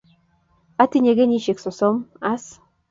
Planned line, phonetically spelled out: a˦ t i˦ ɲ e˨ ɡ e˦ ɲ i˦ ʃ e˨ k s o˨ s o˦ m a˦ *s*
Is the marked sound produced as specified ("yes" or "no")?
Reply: yes